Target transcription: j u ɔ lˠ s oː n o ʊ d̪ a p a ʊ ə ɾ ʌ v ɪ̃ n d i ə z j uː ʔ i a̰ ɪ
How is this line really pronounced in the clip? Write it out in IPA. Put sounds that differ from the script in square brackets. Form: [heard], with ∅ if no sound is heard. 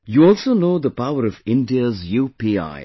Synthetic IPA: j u ɔ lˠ s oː n o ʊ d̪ [ə] p a ʊ ə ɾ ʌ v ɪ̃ n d i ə z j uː [p] i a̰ ɪ